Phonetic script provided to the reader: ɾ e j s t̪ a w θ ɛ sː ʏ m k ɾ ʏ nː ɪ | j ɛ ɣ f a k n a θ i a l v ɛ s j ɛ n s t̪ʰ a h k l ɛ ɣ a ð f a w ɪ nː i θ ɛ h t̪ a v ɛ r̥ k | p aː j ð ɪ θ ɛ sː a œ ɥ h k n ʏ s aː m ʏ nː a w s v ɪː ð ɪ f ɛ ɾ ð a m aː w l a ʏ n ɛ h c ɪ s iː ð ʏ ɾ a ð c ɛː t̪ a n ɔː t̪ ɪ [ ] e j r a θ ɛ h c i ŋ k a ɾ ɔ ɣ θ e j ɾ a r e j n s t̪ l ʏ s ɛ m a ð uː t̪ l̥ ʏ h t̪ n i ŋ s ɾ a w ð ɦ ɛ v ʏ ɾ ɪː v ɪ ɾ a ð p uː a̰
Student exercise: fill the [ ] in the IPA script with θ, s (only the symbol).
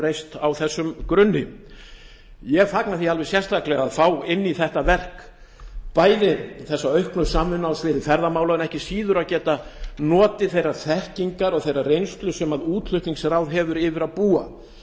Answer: θ